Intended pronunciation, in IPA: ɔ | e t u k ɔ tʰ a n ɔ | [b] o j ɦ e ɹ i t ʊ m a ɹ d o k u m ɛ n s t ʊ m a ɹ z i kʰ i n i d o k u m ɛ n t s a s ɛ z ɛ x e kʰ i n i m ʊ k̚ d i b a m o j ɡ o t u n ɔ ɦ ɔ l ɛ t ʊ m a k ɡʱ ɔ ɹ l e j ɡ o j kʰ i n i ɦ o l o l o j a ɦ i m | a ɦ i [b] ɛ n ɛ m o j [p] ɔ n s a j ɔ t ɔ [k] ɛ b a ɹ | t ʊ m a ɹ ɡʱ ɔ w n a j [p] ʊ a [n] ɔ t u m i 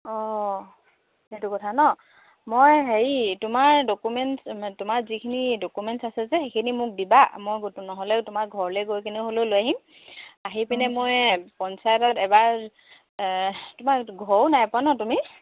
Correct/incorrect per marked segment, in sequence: incorrect, incorrect, correct, incorrect, correct, correct

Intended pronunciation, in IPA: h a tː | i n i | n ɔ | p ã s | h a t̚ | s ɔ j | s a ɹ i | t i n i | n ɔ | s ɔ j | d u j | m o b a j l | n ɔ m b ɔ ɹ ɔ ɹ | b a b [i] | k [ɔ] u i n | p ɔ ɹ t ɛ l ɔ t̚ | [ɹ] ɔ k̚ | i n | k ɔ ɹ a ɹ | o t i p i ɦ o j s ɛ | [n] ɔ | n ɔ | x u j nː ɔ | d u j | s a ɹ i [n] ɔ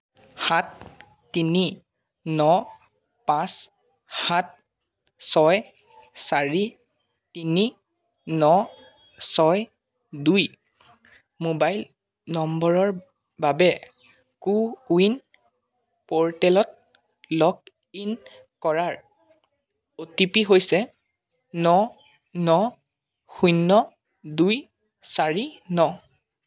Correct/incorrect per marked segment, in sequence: incorrect, incorrect, incorrect, correct, correct

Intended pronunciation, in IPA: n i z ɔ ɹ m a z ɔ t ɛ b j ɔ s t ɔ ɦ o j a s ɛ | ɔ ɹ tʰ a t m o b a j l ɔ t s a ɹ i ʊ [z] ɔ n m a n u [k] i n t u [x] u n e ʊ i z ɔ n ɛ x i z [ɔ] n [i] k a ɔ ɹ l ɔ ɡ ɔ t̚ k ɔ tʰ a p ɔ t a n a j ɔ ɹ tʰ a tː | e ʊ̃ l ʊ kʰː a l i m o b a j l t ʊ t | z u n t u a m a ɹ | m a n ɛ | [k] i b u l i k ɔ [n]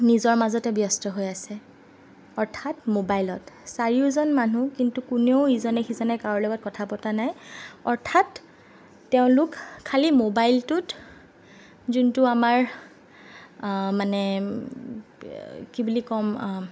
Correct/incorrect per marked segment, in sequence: correct, correct, incorrect, correct, incorrect, correct, incorrect

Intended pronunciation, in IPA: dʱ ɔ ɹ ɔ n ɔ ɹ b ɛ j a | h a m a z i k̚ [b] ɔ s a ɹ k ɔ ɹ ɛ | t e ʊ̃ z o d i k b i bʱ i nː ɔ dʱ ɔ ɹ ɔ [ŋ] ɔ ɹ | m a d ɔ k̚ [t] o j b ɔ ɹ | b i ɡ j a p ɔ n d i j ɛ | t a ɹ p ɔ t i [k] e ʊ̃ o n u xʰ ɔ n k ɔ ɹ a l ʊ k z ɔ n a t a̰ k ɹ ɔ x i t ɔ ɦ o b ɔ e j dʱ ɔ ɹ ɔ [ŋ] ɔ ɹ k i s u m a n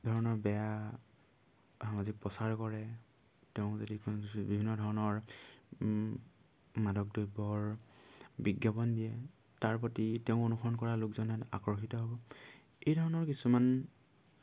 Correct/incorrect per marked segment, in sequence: incorrect, incorrect, incorrect, incorrect, incorrect

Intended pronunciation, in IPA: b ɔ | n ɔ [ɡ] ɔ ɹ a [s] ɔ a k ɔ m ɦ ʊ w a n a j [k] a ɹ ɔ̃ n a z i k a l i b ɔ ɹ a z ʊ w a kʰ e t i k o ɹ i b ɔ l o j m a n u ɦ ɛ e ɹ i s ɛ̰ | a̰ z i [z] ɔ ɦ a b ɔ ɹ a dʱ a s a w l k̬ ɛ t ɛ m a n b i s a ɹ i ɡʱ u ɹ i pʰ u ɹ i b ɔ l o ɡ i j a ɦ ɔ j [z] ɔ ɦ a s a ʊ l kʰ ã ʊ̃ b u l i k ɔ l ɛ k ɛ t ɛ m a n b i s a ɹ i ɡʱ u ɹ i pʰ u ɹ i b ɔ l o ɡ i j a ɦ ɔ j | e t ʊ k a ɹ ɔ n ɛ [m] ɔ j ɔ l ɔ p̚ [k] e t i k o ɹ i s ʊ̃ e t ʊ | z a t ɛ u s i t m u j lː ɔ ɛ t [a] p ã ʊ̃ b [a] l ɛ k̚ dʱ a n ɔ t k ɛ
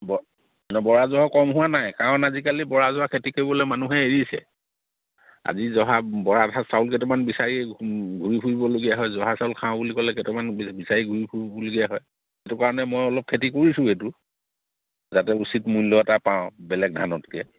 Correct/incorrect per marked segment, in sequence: incorrect, incorrect, correct, correct, correct, correct, incorrect, correct, incorrect

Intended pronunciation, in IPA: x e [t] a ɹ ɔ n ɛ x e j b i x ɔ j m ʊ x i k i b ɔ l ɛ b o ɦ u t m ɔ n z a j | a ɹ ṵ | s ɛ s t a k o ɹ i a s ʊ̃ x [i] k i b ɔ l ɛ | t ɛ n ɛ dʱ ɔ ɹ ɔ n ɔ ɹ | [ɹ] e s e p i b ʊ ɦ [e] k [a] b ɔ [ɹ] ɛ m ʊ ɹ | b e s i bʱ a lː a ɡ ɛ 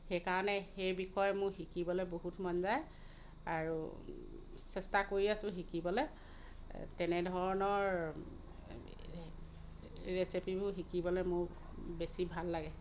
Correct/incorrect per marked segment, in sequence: incorrect, correct, correct, incorrect, incorrect, incorrect

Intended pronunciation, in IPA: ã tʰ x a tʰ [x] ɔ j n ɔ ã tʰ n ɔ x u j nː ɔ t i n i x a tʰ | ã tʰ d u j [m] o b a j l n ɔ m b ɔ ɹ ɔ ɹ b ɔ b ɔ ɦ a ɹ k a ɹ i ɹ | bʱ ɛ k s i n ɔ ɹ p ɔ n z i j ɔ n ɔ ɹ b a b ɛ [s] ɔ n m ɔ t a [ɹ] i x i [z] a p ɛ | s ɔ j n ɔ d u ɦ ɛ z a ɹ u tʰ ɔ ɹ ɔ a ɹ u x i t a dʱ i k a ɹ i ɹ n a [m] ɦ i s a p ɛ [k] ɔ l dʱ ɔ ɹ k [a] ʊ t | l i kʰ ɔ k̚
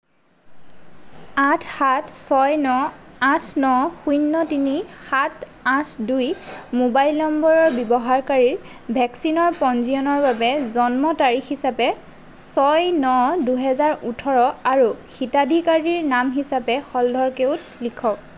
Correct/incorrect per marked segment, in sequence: incorrect, correct, incorrect, correct, incorrect, correct, incorrect, incorrect

